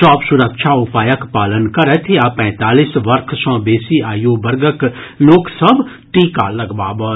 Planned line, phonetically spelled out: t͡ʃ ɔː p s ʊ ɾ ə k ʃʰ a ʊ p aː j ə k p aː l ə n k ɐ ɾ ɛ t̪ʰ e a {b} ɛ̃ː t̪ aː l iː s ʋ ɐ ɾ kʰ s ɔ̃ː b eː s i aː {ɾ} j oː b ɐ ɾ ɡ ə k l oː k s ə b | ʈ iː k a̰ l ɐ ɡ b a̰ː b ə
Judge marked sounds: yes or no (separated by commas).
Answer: no, no